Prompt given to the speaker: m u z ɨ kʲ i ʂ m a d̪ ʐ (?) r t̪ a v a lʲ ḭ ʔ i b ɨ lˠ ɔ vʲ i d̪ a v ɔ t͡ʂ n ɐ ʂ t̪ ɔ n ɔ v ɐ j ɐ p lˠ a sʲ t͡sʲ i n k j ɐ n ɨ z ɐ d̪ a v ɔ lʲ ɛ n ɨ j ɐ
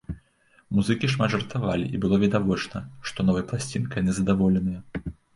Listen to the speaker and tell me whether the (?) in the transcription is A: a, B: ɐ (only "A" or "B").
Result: B